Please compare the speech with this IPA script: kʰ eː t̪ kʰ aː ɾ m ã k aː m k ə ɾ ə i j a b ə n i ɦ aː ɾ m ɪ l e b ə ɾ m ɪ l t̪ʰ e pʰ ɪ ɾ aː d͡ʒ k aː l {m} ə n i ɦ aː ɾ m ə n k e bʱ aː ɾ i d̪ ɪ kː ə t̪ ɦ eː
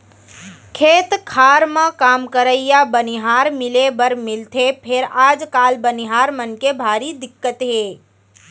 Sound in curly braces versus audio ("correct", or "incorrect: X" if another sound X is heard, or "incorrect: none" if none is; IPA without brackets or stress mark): incorrect: b